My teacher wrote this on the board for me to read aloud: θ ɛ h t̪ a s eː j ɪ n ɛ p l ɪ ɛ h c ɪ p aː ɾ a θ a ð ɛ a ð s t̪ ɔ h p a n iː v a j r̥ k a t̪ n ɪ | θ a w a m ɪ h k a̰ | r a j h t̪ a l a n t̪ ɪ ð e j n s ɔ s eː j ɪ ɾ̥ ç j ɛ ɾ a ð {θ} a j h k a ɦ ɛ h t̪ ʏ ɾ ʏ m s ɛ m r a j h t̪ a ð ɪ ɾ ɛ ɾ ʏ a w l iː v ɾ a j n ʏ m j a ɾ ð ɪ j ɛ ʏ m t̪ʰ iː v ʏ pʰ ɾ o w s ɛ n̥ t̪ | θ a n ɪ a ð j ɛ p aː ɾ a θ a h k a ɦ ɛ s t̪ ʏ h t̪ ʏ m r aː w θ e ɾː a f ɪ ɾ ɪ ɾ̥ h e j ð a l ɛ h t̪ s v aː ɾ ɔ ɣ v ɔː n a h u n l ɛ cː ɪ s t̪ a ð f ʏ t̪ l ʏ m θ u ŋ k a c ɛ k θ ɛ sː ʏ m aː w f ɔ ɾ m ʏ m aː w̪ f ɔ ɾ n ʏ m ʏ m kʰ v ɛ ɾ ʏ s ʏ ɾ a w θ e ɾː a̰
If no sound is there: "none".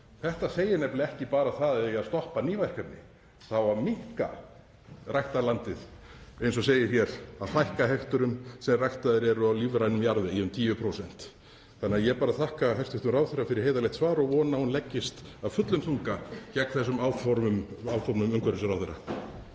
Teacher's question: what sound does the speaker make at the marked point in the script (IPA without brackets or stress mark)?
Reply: θ